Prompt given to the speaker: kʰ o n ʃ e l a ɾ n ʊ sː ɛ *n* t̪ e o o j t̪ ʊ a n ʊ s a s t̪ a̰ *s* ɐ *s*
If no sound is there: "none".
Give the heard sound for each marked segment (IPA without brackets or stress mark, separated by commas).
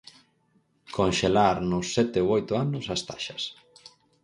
none, ʃ, s